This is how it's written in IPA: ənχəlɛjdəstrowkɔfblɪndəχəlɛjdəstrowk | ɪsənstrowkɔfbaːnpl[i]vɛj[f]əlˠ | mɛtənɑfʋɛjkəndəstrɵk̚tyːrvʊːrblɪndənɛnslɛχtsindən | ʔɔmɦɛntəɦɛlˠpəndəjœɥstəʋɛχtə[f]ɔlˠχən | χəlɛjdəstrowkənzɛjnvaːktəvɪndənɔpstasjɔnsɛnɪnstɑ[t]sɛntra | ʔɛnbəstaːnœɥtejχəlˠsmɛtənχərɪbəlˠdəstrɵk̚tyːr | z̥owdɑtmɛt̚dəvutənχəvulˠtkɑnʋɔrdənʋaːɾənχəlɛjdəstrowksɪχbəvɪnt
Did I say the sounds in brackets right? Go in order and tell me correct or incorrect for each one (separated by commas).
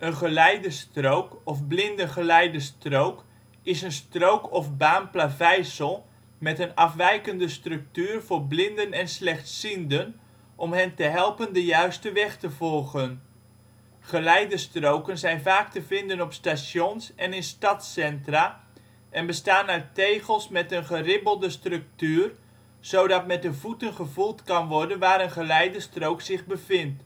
incorrect, incorrect, incorrect, correct